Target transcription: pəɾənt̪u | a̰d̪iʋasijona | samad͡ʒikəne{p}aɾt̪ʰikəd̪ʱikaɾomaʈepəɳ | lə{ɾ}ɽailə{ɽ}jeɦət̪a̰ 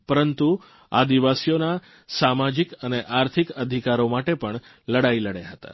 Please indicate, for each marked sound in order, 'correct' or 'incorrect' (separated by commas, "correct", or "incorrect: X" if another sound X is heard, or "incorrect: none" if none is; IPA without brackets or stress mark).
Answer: incorrect: ʔ, incorrect: none, correct